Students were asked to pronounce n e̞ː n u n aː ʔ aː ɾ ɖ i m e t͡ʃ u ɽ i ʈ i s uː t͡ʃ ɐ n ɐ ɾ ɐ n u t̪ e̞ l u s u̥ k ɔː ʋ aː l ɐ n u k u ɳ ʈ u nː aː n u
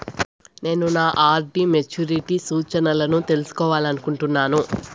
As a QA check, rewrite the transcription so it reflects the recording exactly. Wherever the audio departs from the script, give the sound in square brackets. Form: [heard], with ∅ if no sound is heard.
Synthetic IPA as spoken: n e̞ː n u n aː ʔ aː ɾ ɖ i m e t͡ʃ u [ɾ] i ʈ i s uː t͡ʃ ɐ n ɐ [l] ɐ n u t̪ e̞ l u s u̥ k ɔː ʋ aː l ɐ n u k u ɳ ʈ u nː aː n u